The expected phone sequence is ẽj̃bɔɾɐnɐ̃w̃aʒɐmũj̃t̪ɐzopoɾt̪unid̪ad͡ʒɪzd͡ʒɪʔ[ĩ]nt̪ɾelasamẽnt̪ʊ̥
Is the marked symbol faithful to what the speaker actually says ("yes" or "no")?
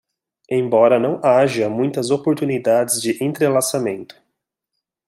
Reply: no